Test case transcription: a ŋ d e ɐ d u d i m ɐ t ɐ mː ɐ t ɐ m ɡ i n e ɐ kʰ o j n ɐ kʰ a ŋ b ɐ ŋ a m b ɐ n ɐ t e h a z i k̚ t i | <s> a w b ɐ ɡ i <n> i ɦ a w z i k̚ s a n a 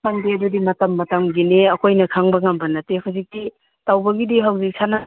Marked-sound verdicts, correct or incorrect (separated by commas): incorrect, incorrect